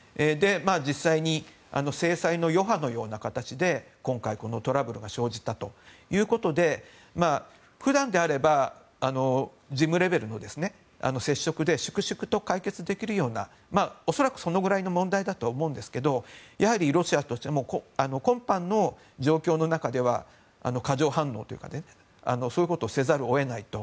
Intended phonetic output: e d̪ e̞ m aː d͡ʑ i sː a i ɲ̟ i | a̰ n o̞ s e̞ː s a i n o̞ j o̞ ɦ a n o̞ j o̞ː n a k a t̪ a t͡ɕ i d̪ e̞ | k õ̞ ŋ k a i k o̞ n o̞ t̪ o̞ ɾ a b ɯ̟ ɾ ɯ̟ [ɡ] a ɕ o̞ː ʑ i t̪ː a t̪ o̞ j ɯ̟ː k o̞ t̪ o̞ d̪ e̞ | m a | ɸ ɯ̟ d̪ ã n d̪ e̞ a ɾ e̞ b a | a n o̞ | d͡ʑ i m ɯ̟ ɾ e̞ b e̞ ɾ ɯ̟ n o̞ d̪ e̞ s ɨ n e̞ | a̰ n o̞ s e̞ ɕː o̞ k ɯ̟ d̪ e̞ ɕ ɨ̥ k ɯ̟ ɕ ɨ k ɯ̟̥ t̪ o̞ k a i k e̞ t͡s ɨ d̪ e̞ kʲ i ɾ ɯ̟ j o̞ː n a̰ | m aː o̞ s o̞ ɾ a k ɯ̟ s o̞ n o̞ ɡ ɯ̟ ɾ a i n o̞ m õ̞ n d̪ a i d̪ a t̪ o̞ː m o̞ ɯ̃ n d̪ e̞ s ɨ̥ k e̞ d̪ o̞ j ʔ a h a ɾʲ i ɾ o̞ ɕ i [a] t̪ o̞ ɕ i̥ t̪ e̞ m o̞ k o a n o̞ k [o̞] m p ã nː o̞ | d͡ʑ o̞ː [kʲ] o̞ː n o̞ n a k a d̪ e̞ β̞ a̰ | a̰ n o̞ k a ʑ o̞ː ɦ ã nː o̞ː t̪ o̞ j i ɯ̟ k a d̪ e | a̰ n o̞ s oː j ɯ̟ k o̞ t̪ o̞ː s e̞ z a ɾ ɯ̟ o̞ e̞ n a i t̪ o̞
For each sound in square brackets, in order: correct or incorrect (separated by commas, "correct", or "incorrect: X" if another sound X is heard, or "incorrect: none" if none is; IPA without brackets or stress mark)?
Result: correct, correct, incorrect: õ̞, correct